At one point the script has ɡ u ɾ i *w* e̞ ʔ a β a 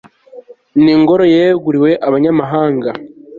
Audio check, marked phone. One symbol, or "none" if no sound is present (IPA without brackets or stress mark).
w